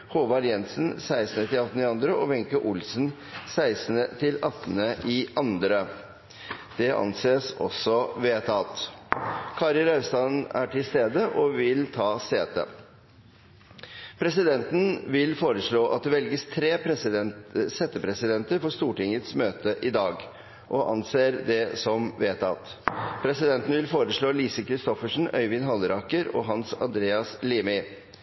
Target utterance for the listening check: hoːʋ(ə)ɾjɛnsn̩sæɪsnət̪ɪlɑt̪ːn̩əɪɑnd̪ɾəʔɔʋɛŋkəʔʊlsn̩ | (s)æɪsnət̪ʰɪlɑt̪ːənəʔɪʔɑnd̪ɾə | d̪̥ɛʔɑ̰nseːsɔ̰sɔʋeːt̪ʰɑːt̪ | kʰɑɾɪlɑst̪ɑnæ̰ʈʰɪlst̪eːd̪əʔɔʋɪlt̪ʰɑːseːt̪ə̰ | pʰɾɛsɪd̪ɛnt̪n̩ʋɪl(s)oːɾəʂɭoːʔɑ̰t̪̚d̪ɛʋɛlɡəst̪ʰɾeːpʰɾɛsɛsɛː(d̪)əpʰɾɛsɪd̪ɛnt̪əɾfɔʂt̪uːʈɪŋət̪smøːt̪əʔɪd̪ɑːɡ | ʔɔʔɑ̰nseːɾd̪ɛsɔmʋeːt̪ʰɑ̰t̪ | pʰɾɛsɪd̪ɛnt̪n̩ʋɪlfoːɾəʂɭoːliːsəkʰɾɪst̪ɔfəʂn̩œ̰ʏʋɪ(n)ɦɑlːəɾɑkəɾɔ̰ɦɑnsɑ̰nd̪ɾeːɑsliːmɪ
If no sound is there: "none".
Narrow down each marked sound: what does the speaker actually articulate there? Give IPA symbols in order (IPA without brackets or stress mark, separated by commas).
ɑ, s, f, t̪, n